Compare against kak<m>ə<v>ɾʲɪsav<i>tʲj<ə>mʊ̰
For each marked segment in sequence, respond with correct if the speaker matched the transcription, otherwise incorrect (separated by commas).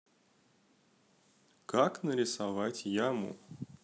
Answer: incorrect, incorrect, incorrect, incorrect